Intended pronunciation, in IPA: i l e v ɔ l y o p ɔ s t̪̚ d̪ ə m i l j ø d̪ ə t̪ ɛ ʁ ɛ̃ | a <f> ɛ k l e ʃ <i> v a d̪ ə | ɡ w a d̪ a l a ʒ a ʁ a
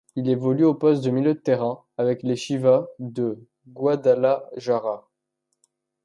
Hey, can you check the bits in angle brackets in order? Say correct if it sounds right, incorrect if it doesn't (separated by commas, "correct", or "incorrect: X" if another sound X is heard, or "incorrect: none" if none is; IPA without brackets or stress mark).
incorrect: v, correct